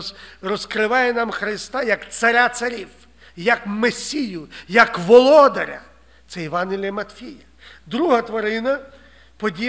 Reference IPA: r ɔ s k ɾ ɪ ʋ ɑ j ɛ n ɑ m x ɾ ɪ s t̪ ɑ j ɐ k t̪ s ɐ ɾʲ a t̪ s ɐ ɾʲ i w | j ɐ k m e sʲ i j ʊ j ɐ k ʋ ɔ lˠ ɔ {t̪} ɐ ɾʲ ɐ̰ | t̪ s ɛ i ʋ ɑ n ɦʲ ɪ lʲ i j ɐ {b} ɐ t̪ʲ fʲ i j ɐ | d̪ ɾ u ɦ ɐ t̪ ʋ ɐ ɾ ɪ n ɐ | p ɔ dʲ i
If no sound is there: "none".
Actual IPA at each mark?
d̪, m

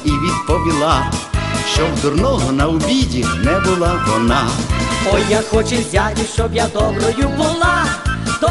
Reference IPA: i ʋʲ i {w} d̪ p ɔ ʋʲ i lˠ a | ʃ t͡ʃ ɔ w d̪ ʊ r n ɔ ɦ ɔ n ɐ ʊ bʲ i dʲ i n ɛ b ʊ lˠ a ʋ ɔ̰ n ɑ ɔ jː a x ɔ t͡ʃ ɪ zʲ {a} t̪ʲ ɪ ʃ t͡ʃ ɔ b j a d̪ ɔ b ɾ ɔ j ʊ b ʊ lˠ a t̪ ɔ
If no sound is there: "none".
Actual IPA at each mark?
none, a

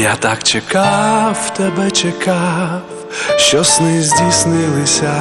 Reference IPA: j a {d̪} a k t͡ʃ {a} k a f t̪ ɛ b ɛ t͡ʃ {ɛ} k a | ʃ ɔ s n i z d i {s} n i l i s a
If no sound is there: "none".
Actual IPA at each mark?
t̪, ɛ, ɛ, s

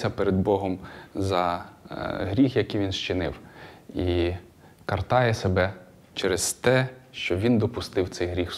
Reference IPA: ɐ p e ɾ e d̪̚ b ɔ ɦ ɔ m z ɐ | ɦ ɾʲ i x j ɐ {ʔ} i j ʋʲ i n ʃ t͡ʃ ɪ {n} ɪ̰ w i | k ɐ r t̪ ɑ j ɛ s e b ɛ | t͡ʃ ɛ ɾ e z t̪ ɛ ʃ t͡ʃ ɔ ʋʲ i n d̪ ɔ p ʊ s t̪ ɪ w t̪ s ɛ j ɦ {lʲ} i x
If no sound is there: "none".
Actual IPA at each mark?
k, n, ɾʲ

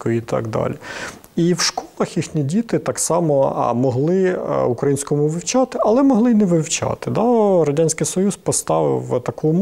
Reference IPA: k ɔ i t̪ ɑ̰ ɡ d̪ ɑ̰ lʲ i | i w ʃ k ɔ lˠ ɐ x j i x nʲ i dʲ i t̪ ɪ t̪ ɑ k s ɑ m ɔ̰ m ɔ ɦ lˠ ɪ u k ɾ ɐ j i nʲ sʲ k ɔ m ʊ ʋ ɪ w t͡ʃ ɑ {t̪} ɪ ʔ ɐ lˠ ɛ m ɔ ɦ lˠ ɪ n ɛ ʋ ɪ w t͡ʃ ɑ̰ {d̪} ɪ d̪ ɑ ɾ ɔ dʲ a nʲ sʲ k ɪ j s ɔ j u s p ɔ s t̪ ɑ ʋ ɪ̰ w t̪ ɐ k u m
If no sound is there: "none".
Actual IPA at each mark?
t̪, t̪

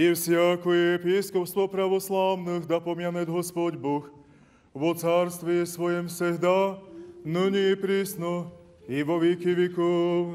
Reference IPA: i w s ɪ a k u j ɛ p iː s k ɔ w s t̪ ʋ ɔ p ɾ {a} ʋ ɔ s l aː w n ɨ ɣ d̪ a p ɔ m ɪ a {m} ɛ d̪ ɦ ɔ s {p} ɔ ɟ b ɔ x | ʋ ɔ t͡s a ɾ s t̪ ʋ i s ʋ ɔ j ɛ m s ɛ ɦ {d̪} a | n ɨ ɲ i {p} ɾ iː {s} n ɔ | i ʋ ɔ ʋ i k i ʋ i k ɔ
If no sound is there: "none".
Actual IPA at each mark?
a, n, p, d̪, p, s

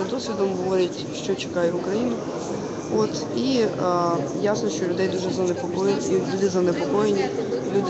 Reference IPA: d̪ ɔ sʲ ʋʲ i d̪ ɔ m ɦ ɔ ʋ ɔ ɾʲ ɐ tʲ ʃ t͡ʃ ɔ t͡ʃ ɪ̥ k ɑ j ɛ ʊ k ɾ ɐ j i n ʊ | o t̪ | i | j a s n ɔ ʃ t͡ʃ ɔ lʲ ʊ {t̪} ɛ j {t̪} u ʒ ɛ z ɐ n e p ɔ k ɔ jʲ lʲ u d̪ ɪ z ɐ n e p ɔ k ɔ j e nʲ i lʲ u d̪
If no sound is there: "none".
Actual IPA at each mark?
d̪, d̪

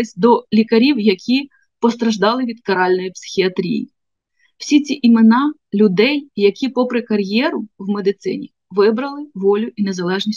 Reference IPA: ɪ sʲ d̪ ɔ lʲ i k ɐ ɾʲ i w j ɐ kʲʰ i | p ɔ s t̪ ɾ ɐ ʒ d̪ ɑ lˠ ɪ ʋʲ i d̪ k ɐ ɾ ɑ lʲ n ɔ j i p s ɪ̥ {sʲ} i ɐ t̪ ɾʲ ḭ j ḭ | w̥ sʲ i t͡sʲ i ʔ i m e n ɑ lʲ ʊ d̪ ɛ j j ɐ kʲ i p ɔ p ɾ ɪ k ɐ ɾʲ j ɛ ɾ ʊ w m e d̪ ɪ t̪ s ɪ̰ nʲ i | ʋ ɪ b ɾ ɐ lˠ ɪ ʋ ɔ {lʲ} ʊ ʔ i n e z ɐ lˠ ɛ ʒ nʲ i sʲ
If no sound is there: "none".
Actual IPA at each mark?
xʲ, lʲ

